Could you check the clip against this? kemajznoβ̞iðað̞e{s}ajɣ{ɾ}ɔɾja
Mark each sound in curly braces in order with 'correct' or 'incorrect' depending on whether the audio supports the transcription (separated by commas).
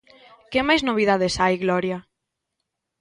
correct, incorrect